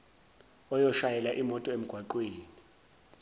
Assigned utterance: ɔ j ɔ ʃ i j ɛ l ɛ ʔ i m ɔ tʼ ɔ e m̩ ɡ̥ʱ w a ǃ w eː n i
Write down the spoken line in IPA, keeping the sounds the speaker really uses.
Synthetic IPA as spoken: ɔ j ɔ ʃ a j ɛ l a ʔ i m ɔ tʼ ɔ e m̩ ɡ̥ʱ w a ǃ w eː n i

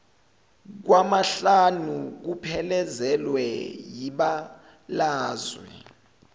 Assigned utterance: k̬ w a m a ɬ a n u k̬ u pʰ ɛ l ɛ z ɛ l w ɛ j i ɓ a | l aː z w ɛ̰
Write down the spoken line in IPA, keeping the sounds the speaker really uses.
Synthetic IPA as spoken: k̬ w a m a ɬ a n u k̬ u pʰ ɛ l ɛ z ɛ l w ɛ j i ɓ a | l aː z w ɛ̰

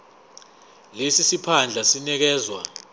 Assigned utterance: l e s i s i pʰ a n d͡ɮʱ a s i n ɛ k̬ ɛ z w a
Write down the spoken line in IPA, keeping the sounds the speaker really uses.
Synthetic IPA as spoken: l e s i s i pʰ a n d͡ɮʱ a s i n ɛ k̬ ɛː z w a

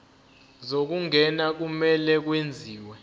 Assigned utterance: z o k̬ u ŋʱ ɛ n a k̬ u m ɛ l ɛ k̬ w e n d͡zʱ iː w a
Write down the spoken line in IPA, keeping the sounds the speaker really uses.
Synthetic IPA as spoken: z o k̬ u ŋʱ ɛ n a k̬ u m ɛ l ɛ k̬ w e n d͡zʱ iː w ɛ

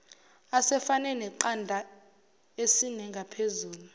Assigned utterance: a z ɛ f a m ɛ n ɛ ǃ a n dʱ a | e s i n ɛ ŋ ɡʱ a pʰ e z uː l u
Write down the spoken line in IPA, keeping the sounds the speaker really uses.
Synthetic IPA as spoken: a s ɛ f a n ɛ n ɛ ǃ a n dʱ a | e s i n ɛ ŋ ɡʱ a pʰ e z uː l u

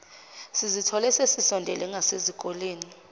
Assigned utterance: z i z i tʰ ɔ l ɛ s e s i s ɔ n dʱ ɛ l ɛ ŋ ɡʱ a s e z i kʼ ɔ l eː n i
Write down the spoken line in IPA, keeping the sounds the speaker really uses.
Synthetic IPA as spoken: s i z i tʰ ɔ l ɛ s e s i s ɔ n dʱ ɛ l ɛ ŋ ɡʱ a s e z i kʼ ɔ l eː n i

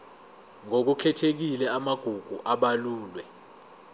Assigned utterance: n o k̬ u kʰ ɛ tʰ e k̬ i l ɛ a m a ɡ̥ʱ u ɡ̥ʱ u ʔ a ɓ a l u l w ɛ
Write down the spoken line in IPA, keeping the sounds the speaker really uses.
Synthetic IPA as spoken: ŋ o k̬ u kʰ ɛ tʰ e k̬ i l ɛ a m a ɡ̥ʱ u ɡ̥ʱ u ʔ a ɓ a l uː l w ɛ

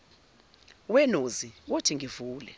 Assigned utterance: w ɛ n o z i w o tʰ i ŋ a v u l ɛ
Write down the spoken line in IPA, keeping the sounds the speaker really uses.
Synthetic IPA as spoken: w ɛ n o z i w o tʰ i ŋ i v uː l ɛ

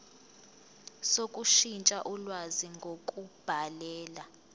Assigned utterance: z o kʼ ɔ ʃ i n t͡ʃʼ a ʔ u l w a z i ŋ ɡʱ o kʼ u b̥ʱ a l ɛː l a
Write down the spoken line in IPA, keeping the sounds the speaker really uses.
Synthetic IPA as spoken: s o kʼ u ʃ i n t͡ʃʼ a ʔ u l w a z i ŋ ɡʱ o kʼ u b̥ʱ a l ɛː l a

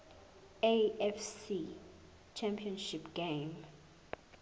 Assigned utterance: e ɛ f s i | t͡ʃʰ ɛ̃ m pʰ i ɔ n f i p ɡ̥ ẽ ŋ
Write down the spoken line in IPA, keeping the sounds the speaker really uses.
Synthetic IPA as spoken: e ɛ f s i | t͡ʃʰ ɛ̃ m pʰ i ɔ n ʃ i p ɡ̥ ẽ m

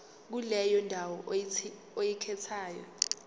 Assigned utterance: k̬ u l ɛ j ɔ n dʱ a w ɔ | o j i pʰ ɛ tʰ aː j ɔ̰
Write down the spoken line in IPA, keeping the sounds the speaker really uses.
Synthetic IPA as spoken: k̬ u l ɛ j ɔ n dʱ a w ɔ | o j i kʰ ɛ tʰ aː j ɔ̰

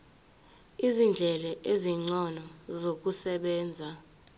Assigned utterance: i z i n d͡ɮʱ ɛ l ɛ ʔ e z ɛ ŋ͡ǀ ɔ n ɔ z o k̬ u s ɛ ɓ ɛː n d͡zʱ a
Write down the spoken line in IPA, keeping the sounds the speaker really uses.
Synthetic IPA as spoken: i z i n d͡ɮʱ ɛ l ɛ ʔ e z i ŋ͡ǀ ɔ n ɔ z o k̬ u s ɛ ɓ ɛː n d͡zʱ a

